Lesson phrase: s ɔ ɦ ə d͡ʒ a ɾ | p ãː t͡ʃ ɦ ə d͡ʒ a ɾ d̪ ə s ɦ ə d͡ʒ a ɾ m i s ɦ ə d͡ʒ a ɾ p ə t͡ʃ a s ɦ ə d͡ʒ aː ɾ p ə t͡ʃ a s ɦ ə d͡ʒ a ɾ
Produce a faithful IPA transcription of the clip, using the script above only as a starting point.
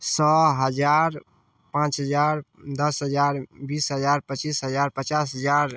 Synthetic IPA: s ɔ ɦ ə d͡ʒ a ɾ | p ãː t͡ʃ ɦ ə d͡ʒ a ɾ d̪ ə s ɦ ə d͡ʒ a ɾ b i s ɦ ə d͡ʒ a ɾ p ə t͡ʃ i s ɦ ə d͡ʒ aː ɾ p ə t͡ʃ a s ɦ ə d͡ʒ a ɾ